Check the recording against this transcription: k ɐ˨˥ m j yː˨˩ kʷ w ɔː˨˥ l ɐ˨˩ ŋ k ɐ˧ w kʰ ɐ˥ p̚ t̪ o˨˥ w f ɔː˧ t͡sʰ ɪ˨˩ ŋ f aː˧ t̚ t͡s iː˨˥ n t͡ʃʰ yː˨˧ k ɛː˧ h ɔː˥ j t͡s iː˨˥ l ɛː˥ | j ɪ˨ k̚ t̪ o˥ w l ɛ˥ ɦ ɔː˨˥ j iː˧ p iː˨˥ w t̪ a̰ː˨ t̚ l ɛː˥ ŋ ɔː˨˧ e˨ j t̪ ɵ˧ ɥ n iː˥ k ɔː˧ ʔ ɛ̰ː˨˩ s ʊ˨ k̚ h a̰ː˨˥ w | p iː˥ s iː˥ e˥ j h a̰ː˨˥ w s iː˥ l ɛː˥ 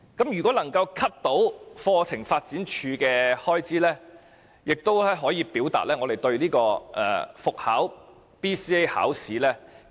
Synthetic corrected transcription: k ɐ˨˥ m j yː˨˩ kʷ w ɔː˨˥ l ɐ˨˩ ŋ k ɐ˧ w kʰ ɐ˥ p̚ t̪ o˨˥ w f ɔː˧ t͡sʰ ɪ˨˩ ŋ f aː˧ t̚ t͡s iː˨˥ n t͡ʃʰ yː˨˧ k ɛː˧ h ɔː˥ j t͡s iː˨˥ l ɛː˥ | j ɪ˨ k̚ t̪ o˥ w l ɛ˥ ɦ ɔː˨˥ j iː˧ p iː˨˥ w t̪ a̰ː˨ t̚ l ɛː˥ ŋ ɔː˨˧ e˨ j t̪ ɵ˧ ɥ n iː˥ k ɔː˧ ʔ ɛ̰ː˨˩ f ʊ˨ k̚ h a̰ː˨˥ w | p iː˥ s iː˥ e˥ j h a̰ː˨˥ w s iː˨˥ l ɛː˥